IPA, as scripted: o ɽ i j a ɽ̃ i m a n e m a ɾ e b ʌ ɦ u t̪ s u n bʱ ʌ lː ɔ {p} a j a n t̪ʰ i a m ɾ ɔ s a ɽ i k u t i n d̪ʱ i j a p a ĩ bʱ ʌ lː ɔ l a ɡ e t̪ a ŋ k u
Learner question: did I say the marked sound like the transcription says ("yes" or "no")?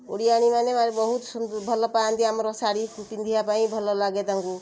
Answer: yes